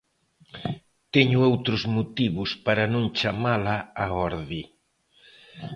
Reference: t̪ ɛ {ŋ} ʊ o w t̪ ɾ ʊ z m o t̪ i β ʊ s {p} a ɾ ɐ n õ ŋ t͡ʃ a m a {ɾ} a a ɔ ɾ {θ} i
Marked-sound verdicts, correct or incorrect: incorrect: ɲ, correct, incorrect: l, incorrect: ð

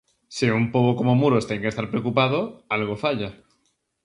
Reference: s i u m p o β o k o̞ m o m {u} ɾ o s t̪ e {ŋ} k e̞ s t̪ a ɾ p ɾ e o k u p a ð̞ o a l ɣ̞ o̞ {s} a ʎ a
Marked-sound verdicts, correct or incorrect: correct, correct, incorrect: f

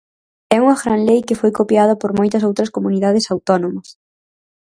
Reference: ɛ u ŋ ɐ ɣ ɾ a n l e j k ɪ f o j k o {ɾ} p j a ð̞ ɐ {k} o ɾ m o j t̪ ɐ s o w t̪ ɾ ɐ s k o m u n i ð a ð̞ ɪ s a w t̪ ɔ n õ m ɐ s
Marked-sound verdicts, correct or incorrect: incorrect: none, incorrect: p

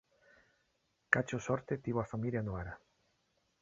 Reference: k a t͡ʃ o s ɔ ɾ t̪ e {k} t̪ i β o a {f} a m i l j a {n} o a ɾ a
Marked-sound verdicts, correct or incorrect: incorrect: none, correct, correct

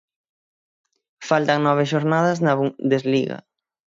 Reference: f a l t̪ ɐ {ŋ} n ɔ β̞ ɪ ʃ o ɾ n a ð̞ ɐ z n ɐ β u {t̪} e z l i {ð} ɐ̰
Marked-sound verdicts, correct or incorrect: correct, incorrect: d̪, incorrect: ɣ

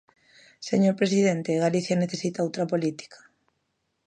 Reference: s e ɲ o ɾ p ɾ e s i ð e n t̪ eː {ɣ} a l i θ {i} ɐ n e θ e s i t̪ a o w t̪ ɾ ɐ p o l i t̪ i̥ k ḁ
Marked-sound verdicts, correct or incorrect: correct, incorrect: j

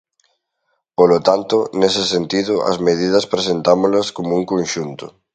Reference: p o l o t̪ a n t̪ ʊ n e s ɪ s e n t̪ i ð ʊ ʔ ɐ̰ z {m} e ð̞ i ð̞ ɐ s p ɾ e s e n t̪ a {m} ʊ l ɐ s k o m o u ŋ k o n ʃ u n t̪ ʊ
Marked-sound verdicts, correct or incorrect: correct, correct

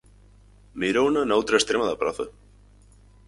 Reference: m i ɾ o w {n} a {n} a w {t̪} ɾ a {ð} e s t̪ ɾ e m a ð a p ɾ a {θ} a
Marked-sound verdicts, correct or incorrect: correct, correct, correct, incorrect: none, correct

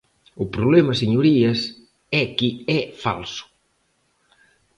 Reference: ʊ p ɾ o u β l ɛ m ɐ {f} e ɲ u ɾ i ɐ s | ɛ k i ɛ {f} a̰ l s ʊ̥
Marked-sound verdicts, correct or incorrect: incorrect: s, correct

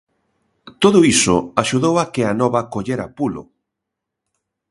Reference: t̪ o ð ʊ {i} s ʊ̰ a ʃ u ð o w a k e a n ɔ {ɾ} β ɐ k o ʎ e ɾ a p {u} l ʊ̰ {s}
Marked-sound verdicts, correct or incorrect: correct, incorrect: none, correct, incorrect: none

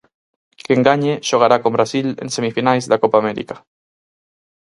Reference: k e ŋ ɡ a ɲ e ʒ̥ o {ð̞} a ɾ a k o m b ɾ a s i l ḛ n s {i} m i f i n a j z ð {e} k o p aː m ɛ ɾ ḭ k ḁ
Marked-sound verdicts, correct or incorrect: incorrect: ɣ̞, incorrect: e, incorrect: a

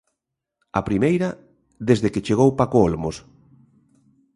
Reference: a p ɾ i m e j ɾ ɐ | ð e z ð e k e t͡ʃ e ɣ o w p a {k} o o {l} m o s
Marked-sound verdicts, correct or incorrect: correct, correct

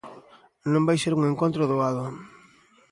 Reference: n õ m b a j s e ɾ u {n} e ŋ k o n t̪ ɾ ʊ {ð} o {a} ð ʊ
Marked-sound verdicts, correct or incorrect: incorrect: ŋ, correct, correct

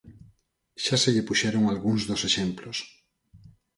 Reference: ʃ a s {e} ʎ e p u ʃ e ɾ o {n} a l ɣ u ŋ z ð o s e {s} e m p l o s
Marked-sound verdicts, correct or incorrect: correct, incorrect: ŋ, incorrect: ʃ

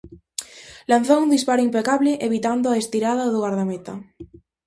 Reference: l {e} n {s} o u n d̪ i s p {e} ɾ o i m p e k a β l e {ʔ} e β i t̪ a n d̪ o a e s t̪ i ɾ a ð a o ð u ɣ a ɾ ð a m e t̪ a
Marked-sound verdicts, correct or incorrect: incorrect: a, incorrect: θ, incorrect: a, correct

